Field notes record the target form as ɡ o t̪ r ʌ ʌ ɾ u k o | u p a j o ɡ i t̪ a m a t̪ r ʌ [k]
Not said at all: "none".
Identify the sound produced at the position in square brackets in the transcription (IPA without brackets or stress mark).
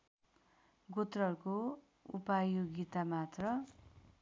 none